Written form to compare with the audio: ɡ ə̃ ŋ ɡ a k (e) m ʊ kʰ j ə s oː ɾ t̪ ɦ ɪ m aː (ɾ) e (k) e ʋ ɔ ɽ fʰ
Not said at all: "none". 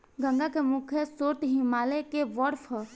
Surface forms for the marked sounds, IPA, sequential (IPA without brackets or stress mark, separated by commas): e, l, k